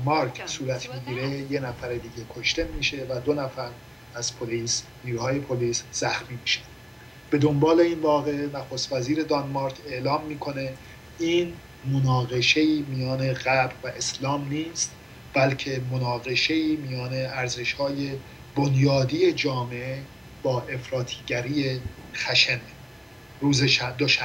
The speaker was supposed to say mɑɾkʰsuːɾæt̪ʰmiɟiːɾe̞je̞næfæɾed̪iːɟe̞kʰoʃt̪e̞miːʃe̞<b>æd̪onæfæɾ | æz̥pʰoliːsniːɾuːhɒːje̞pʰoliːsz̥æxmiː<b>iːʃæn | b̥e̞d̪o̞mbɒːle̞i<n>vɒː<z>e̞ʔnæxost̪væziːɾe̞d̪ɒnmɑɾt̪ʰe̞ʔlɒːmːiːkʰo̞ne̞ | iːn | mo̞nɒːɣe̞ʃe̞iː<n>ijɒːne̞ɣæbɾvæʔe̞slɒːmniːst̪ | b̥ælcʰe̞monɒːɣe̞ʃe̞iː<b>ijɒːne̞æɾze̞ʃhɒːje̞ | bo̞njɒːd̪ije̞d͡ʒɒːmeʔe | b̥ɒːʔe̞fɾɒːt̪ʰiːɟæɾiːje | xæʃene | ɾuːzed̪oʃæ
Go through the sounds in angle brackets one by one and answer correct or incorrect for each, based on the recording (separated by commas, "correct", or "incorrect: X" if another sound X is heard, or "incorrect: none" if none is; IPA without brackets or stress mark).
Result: incorrect: v, incorrect: m, correct, incorrect: ɣ, incorrect: m, incorrect: m